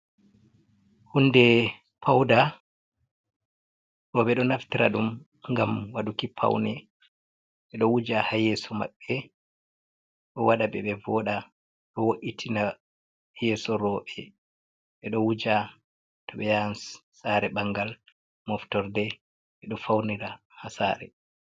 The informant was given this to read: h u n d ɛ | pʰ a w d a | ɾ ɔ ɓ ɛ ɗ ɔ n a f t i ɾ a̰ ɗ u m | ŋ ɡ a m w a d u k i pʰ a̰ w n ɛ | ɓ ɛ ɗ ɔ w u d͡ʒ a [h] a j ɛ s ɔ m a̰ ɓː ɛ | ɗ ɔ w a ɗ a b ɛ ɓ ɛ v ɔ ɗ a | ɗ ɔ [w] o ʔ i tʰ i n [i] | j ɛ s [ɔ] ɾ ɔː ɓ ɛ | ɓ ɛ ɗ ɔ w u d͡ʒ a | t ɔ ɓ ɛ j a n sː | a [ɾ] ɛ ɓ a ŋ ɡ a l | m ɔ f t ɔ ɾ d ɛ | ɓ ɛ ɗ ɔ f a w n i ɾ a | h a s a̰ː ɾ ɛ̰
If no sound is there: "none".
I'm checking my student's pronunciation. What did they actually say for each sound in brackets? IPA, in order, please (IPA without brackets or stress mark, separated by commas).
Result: h, w, a, ɔ, ɾ